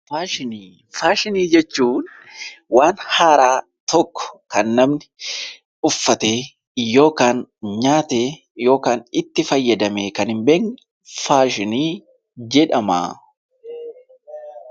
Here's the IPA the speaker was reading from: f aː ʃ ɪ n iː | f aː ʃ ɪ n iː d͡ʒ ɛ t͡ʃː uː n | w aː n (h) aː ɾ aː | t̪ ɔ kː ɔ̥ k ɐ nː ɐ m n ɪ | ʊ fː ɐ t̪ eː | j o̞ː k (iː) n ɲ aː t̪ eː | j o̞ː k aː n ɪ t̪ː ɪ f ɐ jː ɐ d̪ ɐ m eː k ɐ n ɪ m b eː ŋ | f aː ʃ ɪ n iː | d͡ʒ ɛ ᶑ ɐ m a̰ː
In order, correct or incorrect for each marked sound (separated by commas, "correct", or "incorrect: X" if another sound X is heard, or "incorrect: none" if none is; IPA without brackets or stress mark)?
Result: correct, incorrect: aː